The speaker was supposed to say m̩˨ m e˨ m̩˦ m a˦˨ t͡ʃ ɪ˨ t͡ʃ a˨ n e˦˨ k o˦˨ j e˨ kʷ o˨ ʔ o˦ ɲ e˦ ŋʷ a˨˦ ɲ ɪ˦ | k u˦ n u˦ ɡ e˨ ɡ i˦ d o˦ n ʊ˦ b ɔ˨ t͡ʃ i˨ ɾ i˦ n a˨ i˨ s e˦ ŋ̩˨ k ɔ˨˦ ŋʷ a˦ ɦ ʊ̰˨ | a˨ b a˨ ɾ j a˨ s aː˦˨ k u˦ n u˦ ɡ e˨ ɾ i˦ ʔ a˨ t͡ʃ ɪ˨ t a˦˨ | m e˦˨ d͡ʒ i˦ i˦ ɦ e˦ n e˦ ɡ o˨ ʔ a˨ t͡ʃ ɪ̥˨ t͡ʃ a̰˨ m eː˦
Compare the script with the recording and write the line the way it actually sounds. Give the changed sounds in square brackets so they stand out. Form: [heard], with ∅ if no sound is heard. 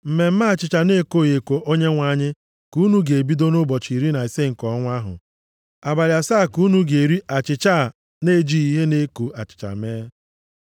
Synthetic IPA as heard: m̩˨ m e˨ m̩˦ m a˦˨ t͡ʃ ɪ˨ t͡ʃ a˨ n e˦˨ k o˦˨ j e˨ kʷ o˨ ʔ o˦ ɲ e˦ ŋʷ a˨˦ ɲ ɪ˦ | k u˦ n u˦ ɡ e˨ [b] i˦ d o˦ n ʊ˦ b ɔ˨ t͡ʃ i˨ ɾ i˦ n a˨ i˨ s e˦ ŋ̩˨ k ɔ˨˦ ŋʷ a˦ ɦ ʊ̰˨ | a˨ b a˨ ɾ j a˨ s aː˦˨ k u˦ n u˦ ɡ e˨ ɾ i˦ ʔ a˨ t͡ʃ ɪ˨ [t͡ʃ] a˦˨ | [n] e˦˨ d͡ʒ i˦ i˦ ɦ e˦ n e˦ [k] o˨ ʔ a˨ t͡ʃ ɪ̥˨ t͡ʃ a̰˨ m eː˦